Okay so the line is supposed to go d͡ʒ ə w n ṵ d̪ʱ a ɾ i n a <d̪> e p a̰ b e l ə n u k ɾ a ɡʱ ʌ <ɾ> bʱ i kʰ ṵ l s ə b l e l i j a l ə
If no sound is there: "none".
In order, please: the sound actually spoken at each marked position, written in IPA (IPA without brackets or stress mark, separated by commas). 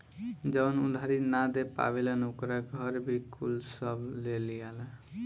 d̪, ɾ